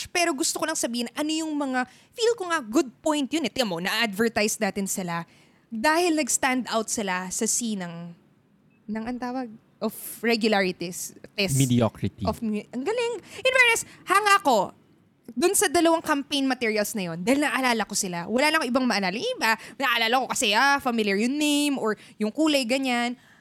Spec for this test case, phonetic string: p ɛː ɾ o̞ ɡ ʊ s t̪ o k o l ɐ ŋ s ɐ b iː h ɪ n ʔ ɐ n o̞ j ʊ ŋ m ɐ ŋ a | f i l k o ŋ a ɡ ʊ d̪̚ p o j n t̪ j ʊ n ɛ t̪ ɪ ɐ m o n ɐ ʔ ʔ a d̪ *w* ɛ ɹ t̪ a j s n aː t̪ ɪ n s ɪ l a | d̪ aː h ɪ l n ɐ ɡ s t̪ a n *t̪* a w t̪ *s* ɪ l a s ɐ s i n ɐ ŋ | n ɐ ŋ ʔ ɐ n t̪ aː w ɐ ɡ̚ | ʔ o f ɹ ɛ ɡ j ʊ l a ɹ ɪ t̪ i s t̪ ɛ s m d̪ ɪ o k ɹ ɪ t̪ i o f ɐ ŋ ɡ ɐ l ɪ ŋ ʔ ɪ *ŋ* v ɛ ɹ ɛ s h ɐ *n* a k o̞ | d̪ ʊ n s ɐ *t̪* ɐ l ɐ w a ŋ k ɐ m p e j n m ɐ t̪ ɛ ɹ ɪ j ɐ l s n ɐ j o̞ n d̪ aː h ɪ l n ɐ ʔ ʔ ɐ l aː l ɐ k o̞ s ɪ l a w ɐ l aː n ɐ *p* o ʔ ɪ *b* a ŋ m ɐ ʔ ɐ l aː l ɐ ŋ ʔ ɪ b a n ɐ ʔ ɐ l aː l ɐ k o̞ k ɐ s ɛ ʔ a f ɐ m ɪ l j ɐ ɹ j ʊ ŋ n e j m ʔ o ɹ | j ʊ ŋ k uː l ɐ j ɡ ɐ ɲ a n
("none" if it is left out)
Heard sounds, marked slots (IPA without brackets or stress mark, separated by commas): v, d̪, s, n, ŋ, d̪, k, b